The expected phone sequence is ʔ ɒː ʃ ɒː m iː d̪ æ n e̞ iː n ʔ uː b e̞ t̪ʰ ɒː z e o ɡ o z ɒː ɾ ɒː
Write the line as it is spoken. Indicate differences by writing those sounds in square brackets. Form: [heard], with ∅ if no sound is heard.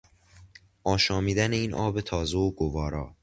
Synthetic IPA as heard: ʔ ɒː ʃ ɒː m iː d̪ æ n e̞ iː n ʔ [ɒː] b e̞ t̪ʰ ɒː z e o ɡ o [v] ɒː ɾ ɒː